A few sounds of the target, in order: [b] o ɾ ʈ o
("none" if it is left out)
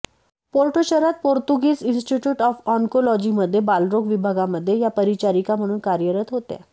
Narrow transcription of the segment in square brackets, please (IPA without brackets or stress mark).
p